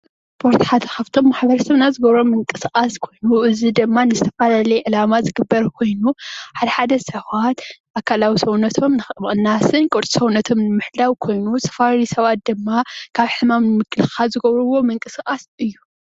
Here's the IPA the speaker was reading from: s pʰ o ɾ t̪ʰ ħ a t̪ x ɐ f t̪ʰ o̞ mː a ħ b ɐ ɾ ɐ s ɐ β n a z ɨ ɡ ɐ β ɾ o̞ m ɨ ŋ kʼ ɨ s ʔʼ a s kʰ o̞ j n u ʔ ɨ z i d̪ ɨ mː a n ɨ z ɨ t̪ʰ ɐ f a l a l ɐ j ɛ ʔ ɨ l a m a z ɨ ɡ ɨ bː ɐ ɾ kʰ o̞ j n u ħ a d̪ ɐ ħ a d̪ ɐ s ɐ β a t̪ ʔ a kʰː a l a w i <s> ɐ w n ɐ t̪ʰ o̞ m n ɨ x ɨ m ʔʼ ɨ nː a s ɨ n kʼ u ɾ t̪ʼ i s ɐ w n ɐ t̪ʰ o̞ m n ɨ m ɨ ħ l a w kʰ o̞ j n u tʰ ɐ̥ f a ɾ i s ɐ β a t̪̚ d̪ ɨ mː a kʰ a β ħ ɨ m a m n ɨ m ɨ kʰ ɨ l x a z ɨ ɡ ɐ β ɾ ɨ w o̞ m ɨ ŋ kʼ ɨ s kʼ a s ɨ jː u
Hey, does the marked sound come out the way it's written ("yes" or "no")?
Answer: yes